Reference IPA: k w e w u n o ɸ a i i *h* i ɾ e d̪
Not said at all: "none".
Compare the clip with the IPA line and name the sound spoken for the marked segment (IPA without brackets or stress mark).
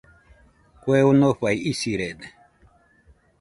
s